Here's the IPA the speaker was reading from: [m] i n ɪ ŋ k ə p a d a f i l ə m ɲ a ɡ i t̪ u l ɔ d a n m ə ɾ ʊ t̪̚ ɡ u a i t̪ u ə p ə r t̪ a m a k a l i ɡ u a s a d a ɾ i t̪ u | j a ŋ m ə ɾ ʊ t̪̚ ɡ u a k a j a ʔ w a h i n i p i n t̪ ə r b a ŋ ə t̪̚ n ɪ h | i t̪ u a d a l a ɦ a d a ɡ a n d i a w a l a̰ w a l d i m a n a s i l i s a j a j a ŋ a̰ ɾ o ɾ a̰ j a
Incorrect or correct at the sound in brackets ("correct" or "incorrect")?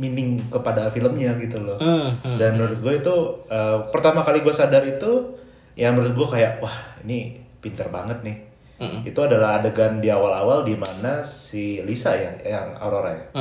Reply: correct